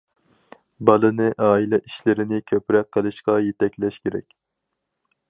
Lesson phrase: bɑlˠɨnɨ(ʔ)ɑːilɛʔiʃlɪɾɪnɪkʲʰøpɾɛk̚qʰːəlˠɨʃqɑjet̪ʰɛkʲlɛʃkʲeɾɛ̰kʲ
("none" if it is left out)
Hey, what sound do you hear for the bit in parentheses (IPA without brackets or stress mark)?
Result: ʔ